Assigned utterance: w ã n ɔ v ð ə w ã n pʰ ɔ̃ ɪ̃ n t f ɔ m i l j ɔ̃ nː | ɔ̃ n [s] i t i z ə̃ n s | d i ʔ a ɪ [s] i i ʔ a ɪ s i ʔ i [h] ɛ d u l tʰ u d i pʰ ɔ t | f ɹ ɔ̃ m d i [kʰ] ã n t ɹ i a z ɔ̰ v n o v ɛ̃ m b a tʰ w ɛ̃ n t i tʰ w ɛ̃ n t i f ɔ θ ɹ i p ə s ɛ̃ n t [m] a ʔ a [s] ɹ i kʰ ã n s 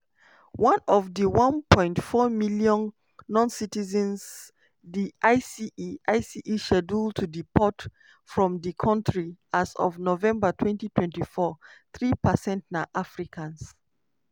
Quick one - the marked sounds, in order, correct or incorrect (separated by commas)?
correct, correct, incorrect, correct, incorrect, incorrect